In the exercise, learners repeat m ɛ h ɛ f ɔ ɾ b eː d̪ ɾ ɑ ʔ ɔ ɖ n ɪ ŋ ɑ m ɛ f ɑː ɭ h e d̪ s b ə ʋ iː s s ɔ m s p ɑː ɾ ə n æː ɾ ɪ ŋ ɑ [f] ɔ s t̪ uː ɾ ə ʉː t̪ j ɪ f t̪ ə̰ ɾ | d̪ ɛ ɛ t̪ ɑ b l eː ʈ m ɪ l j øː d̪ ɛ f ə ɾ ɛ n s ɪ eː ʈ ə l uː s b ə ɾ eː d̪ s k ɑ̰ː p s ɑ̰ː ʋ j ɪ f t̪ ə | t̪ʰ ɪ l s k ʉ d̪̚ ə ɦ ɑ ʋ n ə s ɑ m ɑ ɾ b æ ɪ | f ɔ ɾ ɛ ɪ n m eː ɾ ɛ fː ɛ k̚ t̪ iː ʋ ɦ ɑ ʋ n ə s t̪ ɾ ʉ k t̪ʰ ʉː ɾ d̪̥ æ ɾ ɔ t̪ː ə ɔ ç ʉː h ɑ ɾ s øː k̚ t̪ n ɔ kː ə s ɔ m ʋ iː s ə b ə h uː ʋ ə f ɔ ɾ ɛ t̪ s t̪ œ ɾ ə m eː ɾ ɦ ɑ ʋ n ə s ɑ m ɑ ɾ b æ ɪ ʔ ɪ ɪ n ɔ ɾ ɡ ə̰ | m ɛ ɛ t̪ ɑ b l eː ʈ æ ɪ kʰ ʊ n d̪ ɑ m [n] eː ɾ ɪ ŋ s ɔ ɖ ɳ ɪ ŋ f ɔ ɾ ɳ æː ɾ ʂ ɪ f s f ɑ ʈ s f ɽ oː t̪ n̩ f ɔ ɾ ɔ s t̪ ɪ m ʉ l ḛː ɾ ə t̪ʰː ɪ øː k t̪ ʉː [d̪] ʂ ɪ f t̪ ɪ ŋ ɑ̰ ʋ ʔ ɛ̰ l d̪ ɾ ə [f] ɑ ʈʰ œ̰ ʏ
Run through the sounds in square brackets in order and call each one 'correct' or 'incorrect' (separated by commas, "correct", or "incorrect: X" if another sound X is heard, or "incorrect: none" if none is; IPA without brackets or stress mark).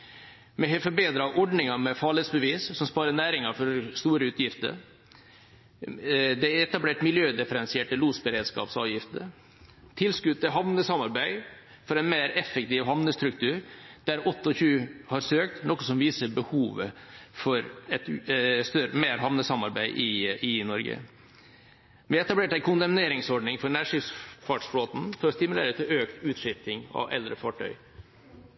correct, correct, incorrect: t̪, correct